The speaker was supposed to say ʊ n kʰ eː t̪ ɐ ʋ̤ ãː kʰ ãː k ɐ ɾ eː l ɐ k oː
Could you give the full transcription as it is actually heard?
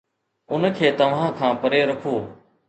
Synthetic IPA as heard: ʊ n kʰ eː t̪ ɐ ʋ̤ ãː kʰ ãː p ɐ ɾ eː ɾ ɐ kʰ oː